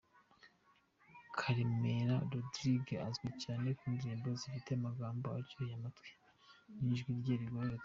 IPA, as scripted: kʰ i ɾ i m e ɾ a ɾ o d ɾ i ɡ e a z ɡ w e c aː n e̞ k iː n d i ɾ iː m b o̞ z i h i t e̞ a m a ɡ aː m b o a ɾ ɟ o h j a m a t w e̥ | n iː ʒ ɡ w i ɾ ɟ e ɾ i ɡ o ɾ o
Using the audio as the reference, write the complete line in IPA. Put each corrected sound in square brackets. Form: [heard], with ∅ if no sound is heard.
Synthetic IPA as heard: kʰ [a] ɾ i m e ɾ a ɾ o d ɾ i ɡ e a z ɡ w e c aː n e̞ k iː n d i ɾ iː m b o̞ z i [f] i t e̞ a m a ɡ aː m b o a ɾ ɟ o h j a m a t w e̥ | n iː ʒ ɡ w i ɾ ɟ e ɾ i ɡ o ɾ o